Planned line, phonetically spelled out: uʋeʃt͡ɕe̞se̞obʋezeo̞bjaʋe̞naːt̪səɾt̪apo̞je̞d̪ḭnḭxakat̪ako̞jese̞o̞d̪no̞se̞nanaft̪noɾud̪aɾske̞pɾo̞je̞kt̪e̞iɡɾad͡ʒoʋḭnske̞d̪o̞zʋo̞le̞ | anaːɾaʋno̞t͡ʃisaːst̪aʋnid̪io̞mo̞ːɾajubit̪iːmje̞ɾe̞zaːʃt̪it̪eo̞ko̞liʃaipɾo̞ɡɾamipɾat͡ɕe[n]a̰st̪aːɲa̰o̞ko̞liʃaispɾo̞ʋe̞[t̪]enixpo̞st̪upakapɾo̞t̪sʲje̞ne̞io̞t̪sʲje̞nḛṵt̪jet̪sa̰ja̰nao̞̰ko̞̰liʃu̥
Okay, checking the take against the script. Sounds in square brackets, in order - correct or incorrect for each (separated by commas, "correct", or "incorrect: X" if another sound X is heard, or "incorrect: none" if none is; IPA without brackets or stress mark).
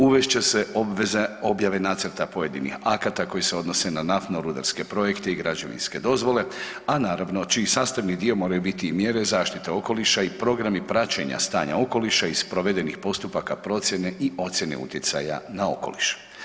incorrect: ɲ, incorrect: d̪